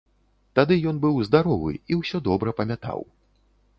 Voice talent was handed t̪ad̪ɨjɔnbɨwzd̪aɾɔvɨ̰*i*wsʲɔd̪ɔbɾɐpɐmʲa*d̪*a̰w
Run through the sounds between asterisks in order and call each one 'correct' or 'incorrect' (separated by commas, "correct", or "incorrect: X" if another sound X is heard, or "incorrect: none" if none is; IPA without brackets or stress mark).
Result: correct, incorrect: t̪